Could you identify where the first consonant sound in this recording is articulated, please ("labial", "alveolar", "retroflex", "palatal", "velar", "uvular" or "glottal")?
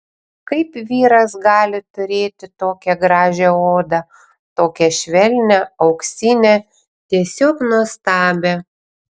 velar